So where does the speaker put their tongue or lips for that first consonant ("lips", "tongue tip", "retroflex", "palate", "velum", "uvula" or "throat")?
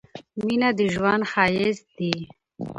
lips